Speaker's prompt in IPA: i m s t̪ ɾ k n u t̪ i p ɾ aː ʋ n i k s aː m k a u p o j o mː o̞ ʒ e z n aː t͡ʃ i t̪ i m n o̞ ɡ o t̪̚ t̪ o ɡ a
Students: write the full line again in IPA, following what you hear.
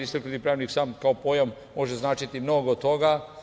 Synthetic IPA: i s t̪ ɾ k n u t̪ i p ɾ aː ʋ n i k s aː m k a o p o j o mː o̞ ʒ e z n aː t͡ʃ i t̪ i m n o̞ ɡ o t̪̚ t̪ o ɡ a